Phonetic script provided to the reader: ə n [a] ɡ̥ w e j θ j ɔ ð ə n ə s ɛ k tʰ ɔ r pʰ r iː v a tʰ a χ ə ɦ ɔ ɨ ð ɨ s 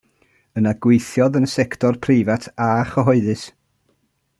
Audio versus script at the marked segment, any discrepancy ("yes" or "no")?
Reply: no